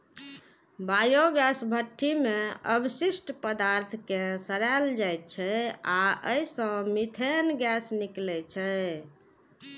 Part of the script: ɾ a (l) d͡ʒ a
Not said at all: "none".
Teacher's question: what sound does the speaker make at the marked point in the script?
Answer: l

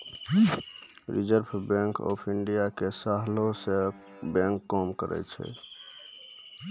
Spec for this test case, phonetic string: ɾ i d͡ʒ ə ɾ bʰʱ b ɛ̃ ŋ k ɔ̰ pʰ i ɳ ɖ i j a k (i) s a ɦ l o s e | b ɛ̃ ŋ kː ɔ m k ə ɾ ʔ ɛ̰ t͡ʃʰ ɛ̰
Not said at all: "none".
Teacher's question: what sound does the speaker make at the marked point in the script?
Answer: e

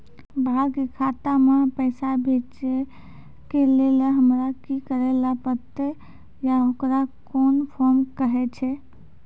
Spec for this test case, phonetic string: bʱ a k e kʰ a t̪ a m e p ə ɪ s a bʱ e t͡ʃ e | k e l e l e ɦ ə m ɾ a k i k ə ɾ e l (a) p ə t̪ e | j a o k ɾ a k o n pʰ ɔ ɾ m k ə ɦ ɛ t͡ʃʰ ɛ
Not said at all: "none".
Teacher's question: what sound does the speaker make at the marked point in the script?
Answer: a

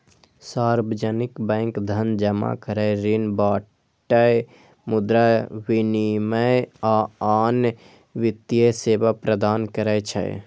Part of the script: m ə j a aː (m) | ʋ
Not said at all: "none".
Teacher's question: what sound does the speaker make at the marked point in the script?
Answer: n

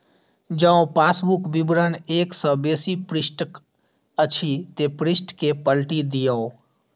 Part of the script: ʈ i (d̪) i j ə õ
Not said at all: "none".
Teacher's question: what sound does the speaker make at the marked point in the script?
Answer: d̪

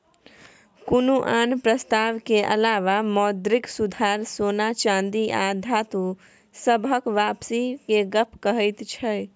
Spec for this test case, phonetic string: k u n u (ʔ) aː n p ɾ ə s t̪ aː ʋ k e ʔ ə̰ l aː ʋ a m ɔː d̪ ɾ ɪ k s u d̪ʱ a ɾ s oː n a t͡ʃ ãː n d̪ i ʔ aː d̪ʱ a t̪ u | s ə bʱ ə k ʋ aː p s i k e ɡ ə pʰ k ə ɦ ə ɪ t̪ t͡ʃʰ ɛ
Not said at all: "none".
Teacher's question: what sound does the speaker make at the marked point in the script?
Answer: ʔ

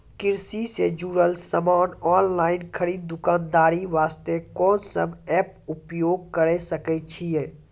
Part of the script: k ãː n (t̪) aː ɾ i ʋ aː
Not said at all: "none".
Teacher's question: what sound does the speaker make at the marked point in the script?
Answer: d̪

